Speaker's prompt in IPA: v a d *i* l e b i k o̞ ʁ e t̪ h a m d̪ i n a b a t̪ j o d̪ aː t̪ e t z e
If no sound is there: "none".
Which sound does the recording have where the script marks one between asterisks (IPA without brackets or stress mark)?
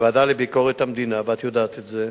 a